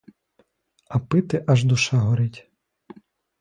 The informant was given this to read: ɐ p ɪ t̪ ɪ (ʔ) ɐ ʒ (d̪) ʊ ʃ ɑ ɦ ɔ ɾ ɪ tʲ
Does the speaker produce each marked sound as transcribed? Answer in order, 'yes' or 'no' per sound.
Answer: yes, yes

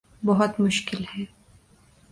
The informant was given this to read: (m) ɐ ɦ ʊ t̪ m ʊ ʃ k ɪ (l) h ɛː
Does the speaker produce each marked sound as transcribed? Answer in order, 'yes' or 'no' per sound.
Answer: no, yes

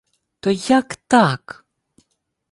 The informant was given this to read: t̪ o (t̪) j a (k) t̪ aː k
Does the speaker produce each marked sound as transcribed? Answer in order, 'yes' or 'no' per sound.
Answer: no, yes

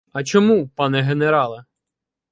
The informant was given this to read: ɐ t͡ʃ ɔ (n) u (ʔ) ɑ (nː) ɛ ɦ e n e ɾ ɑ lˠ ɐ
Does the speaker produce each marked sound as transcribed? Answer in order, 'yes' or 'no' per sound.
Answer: no, no, no

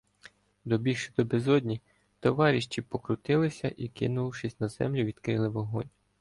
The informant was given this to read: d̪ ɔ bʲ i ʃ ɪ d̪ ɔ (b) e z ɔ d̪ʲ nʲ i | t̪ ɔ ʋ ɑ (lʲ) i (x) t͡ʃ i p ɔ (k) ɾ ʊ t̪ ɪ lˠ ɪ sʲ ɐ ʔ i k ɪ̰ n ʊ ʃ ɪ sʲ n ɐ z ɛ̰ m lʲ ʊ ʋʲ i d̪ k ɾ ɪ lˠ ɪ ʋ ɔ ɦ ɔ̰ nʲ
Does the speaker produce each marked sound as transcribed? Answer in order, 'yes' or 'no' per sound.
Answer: yes, no, no, yes

